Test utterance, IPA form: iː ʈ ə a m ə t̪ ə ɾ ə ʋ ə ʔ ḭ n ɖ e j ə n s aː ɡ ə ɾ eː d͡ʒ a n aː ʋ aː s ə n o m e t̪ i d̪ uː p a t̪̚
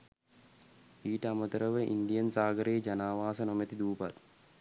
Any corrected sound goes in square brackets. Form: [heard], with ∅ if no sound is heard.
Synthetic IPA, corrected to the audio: iː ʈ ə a m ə t̪ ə ɾ ə ʋ ə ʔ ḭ n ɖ [i] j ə n s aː ɡ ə ɾ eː d͡ʒ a n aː ʋ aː s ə n o m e t̪ i d̪ uː p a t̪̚